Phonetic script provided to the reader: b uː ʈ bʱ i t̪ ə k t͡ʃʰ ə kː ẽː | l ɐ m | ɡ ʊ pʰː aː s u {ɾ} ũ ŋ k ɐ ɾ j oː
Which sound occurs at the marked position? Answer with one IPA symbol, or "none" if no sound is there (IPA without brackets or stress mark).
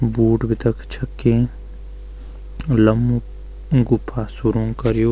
ɾ